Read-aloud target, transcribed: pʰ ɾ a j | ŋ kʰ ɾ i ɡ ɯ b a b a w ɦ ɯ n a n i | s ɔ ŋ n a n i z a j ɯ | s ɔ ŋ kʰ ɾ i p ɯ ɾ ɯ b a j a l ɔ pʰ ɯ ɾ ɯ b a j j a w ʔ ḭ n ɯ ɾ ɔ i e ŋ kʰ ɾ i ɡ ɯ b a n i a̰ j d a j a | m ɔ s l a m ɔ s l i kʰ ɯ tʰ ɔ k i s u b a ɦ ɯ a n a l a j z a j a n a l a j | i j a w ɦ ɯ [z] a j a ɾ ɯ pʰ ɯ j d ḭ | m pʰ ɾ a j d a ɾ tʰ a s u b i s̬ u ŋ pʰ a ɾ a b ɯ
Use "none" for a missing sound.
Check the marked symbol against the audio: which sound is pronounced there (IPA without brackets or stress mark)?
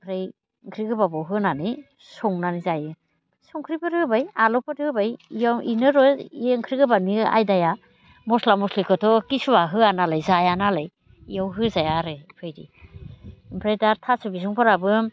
z